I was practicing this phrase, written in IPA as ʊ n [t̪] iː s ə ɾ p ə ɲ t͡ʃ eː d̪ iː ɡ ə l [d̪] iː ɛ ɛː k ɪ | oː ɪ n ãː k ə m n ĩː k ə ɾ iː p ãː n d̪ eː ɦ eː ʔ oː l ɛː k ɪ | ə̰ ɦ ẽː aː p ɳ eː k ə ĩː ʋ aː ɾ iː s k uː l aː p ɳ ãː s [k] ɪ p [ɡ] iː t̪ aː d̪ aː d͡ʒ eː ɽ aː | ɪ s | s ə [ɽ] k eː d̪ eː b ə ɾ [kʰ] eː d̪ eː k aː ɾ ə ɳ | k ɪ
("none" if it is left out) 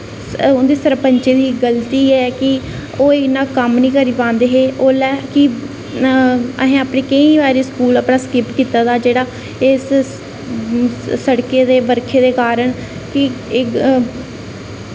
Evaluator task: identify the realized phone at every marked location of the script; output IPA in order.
d̪, t̪, k, k, ɽ, kʰ

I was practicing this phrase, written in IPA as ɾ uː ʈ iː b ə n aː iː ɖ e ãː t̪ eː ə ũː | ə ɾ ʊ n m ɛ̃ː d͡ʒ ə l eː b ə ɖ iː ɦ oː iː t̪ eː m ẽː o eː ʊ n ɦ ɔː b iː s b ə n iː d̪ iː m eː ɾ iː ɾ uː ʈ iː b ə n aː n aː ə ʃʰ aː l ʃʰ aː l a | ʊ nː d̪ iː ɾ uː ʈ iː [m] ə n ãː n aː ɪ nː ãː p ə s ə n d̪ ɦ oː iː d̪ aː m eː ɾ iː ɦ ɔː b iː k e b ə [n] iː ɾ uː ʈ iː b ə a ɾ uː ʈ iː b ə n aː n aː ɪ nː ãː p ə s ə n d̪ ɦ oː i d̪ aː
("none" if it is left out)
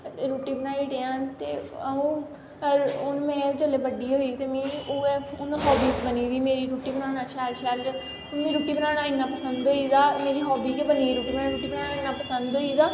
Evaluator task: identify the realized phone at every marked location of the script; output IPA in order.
b, n

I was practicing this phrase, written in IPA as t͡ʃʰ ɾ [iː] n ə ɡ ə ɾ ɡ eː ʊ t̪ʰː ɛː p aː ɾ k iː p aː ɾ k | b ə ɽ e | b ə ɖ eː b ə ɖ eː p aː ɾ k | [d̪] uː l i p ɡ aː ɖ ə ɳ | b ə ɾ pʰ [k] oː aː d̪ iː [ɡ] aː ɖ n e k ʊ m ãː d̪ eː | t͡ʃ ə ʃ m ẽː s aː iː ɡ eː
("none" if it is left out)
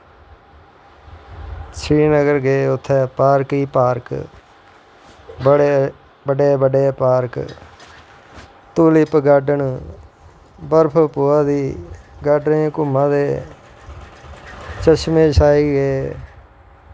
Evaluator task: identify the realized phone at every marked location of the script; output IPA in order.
iː, t̪, p, ɡ

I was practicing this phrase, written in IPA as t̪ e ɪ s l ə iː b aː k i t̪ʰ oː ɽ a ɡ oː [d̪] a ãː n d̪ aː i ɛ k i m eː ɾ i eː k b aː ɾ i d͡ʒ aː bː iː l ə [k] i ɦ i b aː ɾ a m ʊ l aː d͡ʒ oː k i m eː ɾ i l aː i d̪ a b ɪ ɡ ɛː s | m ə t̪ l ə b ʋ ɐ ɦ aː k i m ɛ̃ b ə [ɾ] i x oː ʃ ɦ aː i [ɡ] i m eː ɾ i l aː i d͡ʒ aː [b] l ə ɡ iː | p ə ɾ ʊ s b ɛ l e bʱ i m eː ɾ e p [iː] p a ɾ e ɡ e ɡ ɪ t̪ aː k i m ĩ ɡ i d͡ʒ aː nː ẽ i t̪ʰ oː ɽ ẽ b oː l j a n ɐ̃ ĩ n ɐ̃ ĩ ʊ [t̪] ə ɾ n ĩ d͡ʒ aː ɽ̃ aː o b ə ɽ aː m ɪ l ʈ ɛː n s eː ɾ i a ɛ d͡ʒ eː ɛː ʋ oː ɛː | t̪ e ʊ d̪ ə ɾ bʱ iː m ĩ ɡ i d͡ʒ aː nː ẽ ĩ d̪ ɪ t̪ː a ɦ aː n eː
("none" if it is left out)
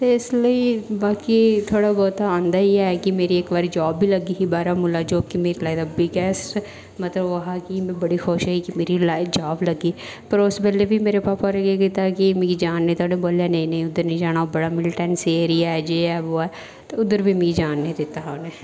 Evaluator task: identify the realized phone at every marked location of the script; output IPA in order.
t̪, ɡ, ɽ, k, b, aː, d̪

